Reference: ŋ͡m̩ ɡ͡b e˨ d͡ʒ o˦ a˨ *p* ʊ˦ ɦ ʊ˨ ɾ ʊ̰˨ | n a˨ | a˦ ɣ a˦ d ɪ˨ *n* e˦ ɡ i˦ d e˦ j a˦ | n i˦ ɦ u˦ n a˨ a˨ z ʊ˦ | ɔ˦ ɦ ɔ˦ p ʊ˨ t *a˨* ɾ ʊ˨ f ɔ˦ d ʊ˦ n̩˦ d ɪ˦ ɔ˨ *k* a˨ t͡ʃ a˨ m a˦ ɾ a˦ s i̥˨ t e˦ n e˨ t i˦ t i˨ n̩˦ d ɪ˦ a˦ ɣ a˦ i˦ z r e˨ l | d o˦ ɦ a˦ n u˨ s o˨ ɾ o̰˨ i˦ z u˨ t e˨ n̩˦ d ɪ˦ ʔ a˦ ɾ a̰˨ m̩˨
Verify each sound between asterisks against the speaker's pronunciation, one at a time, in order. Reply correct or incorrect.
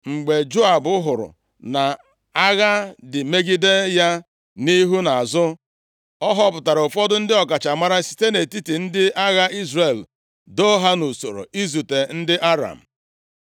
incorrect, incorrect, correct, correct

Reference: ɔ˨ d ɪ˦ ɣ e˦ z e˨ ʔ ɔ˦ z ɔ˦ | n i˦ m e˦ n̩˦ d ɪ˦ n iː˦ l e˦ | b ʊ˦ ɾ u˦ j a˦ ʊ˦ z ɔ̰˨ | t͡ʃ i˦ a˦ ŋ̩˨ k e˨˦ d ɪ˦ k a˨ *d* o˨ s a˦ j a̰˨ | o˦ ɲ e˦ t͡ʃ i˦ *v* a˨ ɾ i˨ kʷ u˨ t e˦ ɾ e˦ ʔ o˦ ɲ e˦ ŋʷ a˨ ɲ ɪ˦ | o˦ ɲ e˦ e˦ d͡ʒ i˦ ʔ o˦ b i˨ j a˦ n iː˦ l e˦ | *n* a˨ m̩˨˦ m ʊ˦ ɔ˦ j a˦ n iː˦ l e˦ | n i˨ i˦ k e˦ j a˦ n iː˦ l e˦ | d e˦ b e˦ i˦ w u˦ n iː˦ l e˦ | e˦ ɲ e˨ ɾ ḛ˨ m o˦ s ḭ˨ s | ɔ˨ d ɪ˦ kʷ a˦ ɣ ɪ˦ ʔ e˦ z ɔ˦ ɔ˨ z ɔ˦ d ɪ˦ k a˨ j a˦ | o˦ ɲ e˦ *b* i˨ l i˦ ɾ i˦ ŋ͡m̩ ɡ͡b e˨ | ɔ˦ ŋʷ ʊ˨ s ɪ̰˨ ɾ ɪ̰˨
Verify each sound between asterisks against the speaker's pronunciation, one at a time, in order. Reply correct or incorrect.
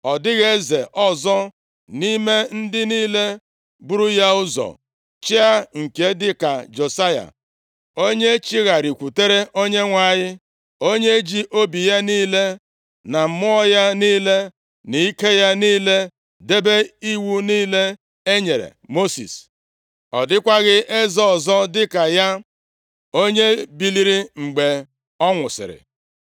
incorrect, incorrect, correct, correct

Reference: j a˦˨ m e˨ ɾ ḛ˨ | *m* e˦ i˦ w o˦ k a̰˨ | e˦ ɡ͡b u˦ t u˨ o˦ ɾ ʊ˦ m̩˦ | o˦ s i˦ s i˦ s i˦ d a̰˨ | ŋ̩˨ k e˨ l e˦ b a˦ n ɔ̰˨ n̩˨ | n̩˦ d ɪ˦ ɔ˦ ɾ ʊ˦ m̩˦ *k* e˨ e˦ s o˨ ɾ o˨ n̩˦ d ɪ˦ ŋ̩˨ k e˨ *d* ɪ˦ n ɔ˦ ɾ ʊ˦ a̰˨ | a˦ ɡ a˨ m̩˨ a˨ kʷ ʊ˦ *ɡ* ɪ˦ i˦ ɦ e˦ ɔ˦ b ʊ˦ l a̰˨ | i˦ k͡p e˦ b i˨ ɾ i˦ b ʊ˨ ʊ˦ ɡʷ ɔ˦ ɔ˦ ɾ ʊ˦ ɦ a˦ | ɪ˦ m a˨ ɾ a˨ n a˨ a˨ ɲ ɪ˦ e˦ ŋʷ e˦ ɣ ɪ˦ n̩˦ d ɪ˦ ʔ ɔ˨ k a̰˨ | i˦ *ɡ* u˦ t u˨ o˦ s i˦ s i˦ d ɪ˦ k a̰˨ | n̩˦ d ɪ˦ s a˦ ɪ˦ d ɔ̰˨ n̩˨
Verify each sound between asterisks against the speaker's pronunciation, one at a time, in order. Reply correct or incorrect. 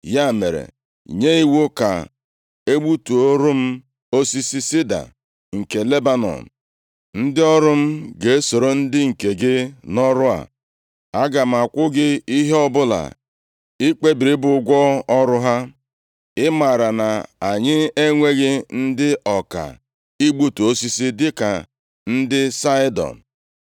incorrect, incorrect, incorrect, correct, incorrect

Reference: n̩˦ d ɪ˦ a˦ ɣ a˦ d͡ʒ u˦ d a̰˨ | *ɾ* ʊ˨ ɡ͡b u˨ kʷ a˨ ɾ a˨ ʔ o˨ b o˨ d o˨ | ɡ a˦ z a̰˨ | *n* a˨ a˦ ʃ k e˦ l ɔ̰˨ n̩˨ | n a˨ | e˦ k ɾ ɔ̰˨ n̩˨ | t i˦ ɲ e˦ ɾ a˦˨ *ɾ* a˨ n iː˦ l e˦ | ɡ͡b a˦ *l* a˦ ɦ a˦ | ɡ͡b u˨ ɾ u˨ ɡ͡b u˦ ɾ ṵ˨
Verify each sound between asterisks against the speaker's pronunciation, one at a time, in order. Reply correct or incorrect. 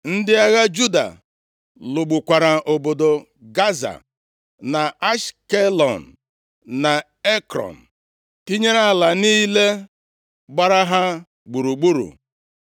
incorrect, correct, incorrect, incorrect

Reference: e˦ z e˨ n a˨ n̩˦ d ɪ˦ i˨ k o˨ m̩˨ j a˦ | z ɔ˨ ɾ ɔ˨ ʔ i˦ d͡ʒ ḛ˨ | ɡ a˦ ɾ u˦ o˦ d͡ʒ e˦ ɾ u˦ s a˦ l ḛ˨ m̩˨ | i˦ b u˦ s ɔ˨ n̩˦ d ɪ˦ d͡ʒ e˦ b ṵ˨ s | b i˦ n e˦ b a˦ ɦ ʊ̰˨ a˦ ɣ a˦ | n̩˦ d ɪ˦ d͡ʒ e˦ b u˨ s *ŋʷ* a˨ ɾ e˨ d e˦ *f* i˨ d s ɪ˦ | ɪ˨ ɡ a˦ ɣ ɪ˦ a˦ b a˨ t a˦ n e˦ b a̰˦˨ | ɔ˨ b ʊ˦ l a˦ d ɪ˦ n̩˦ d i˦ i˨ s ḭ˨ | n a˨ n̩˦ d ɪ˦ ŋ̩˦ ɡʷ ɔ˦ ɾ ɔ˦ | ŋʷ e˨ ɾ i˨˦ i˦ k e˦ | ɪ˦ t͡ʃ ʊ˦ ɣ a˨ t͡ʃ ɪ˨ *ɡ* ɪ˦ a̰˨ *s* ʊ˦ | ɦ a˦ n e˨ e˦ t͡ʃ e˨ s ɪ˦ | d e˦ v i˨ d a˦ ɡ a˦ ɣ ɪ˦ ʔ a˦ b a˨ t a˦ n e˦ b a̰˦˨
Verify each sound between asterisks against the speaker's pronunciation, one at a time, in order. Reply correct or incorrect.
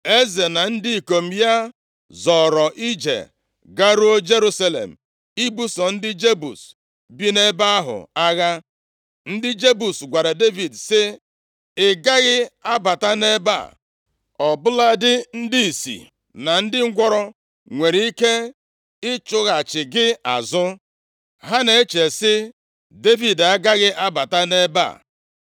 incorrect, incorrect, correct, incorrect

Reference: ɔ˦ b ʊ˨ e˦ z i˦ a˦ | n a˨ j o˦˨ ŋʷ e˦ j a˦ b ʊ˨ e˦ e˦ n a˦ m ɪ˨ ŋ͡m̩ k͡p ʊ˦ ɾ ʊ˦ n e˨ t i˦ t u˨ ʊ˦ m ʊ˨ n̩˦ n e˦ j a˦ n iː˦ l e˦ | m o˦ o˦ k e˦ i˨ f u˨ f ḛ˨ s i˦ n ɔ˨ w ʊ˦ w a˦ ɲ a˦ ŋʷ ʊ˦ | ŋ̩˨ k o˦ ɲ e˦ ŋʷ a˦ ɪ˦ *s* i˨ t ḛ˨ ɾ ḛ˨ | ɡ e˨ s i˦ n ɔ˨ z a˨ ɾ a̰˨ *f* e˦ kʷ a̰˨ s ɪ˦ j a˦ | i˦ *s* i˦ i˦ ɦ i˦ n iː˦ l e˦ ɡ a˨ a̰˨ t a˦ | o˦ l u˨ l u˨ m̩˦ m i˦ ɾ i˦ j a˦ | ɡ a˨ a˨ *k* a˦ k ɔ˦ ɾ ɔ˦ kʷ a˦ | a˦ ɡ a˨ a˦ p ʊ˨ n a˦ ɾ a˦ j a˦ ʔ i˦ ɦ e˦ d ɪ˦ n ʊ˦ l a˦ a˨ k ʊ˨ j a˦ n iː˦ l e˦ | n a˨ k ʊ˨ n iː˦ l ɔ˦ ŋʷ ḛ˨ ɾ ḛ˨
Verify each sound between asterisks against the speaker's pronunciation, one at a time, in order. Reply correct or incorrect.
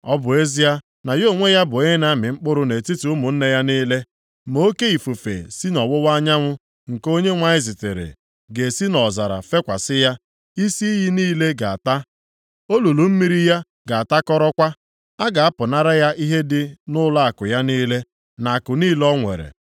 incorrect, correct, correct, incorrect

